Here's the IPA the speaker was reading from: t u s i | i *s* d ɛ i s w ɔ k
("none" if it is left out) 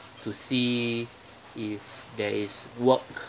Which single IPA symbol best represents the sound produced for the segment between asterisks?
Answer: f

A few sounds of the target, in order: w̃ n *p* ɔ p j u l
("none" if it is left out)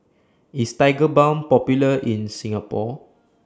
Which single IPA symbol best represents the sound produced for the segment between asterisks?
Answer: p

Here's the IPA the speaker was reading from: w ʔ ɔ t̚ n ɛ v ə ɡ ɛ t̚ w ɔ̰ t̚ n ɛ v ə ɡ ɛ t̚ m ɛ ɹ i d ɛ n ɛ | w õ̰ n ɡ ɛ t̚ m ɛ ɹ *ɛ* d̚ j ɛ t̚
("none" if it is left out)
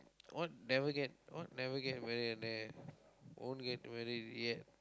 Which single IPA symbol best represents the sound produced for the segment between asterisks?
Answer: i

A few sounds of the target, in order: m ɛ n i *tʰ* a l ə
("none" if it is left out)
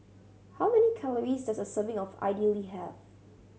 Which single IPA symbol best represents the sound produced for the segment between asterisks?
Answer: kʰ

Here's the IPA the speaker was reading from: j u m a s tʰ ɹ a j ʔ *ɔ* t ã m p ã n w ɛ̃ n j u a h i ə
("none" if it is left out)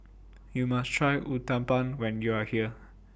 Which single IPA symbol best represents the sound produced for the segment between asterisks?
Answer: u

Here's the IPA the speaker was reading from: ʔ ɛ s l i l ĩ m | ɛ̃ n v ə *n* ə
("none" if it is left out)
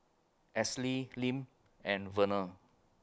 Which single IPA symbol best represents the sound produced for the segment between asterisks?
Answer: n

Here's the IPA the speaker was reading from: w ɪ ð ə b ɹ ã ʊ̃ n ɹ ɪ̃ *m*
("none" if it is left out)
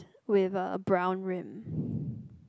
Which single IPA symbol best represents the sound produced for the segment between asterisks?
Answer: m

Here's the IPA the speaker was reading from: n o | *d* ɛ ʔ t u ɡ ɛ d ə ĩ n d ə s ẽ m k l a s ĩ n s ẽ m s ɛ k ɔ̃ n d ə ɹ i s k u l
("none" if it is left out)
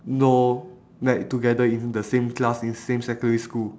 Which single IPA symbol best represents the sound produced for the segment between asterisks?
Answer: n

